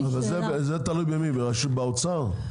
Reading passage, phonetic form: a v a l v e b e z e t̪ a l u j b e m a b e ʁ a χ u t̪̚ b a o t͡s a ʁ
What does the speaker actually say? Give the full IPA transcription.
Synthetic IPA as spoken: a v a l z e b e z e t̪ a l u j b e m i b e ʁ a ʃ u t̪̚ b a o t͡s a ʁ